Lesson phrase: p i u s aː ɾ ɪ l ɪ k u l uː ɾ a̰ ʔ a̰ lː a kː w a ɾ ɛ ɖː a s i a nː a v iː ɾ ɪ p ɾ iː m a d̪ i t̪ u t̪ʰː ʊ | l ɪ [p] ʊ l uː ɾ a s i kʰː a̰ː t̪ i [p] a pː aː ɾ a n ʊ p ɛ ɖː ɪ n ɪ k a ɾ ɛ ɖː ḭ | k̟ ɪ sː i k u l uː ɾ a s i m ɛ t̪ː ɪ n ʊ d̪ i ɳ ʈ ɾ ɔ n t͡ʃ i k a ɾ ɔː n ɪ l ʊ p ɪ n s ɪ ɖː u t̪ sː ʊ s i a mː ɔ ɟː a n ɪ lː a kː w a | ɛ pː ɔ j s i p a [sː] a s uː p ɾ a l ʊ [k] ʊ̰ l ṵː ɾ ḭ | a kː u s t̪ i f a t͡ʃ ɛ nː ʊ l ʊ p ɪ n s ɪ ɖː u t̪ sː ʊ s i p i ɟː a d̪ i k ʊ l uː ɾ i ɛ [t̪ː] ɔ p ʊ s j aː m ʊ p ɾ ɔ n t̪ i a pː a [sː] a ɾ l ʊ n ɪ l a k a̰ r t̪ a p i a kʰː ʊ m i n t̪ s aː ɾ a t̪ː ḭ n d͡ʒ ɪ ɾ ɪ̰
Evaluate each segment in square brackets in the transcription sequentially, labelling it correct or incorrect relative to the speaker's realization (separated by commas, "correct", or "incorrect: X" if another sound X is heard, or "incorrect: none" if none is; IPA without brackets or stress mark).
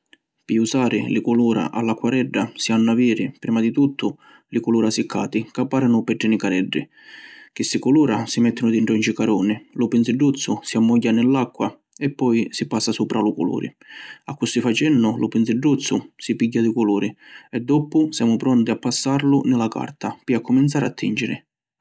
incorrect: k, incorrect: k, correct, correct, incorrect: d̪ː, correct